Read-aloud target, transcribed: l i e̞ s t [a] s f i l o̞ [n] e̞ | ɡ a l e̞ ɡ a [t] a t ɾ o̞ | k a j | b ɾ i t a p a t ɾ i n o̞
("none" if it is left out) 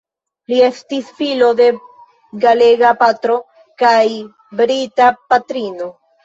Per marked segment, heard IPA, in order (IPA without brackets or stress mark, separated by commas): i, d, p